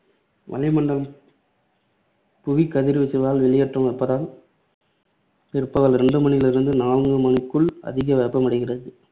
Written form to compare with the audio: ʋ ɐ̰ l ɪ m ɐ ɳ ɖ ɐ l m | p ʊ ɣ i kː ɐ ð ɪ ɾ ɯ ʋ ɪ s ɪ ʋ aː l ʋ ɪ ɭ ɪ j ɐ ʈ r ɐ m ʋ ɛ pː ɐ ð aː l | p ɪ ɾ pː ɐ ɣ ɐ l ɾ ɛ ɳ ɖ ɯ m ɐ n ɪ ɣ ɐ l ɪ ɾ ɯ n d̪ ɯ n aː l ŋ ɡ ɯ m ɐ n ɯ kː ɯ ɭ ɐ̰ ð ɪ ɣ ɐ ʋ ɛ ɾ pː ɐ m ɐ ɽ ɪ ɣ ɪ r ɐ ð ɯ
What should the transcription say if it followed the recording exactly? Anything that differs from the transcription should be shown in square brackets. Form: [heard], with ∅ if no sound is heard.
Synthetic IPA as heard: ʋ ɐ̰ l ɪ m ɐ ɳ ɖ ɐ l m | p ʊ ɣ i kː ɐ ð ɪ ɾ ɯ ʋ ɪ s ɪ ʋ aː l ʋ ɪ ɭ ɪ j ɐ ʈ r ɐ m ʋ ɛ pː ɐ ð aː l | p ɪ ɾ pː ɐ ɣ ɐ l ɾ ɛ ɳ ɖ ɯ m ɐ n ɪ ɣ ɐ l ɪ ɾ ɯ n d̪ ɯ n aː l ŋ ɡ ɯ m ɐ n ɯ kː ɯ ɭ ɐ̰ ð ɪ ɣ ɐ ʋ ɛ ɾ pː ɐ m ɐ ɽ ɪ ɣ ɪ r ɐ ð ɯ

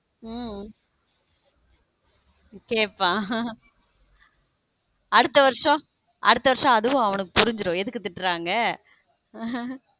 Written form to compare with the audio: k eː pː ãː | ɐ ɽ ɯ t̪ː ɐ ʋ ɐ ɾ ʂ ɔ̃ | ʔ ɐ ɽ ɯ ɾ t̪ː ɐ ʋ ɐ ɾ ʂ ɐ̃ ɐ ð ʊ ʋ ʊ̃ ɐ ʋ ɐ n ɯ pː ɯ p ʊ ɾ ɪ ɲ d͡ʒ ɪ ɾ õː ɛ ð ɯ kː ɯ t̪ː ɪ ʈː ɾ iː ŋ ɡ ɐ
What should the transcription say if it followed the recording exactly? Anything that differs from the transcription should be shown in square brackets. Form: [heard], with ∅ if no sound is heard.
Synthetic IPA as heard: k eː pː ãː | ɐ ɽ ɯ t̪ː ɐ ʋ ɐ ɾ ʂ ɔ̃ | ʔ ɐ ɽ ɯ [∅] t̪ː ɐ ʋ ɐ ɾ ʂ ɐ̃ ɐ ð [ɯ] ʋ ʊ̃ ɐ ʋ ɐ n ɯ [kː] ɯ p ʊ ɾ ɪ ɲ d͡ʒ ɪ ɾ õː ɛ ð ɯ kː ɯ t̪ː ɪ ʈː ɾ [aː] ŋ ɡ ɐ

